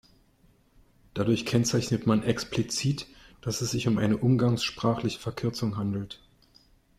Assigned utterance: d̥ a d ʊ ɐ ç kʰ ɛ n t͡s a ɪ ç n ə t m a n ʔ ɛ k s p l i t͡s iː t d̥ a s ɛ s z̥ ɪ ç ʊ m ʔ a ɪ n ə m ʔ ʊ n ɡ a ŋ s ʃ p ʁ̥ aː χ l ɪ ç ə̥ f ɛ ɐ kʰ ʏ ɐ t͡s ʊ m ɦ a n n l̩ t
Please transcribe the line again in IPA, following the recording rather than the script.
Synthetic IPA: d̥ a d ʊ ɐ ç kʰ ɛ n t͡s a ɪ ç n ə t m a n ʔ ɛ k s p l i t͡s iː t d̥ a s ɛ s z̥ ɪ ç ʊ m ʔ a ɪ n ə ʔ ʊ m ɡ a ŋ s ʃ p ʁ̥ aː χ l ɪ ç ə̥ f ɛ ɐ kʰ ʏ ɐ t͡s ʊ ŋ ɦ a n d l̩ t